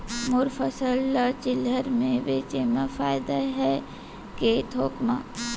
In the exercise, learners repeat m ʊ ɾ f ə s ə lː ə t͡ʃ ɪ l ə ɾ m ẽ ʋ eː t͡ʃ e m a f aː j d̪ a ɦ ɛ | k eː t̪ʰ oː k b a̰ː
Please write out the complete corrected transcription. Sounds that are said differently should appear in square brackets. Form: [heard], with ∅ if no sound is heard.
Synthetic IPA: m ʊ ɾ f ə s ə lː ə t͡ʃ ɪ l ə ɾ m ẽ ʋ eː t͡ʃ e m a f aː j d̪ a ɦ ɛ | k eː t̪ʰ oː k [m] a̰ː